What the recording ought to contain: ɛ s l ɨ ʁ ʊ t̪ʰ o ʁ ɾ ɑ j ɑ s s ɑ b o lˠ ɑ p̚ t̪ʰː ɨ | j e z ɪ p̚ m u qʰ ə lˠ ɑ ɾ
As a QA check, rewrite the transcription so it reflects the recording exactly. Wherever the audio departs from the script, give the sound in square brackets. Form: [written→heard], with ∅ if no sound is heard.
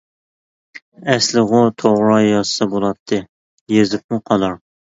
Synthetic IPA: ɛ s l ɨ ʁ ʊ t̪ʰ o ʁ ɾ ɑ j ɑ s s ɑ b o lˠ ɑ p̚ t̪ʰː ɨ | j e z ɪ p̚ m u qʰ [ə→ɑ] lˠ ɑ ɾ